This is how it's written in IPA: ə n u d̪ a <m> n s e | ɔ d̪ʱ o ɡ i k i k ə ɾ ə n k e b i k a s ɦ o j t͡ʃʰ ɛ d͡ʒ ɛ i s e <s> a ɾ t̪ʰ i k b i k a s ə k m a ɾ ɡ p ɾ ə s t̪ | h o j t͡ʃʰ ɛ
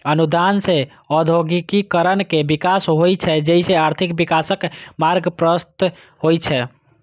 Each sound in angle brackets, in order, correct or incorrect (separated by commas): incorrect, incorrect